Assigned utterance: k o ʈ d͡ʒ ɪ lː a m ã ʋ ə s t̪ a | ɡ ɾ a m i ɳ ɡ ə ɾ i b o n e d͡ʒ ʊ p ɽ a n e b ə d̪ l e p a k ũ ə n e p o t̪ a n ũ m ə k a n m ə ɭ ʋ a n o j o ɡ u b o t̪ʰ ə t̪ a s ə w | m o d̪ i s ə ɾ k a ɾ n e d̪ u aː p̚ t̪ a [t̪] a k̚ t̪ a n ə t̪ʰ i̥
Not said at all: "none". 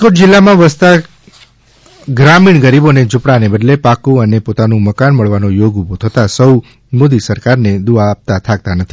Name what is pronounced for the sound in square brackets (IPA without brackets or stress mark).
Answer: t̪ʰ